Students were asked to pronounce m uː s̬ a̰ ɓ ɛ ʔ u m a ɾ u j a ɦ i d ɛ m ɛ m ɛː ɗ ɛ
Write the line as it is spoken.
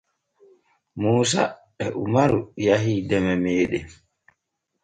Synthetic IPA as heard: m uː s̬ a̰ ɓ ɛ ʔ u m a ɾ u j a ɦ i d ɛ m ɛ m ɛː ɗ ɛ